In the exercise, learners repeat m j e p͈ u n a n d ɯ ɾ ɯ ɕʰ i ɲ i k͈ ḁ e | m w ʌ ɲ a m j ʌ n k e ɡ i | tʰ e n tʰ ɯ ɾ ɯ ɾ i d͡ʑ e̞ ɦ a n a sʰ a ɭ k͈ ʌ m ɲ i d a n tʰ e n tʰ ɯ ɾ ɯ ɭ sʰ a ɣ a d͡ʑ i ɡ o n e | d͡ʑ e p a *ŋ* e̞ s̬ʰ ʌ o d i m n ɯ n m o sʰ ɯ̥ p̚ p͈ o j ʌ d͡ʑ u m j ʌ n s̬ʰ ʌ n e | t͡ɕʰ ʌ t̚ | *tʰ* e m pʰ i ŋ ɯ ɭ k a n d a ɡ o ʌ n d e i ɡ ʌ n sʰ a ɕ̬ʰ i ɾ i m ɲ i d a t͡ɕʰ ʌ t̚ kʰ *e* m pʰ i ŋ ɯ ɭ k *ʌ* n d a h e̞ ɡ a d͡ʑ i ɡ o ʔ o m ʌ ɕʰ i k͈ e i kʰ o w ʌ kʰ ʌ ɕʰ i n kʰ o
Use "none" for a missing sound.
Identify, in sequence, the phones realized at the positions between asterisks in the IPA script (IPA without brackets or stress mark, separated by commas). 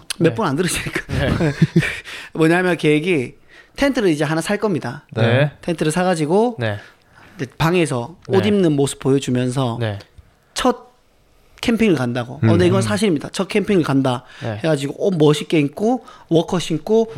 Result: ŋ, kʰ, e, a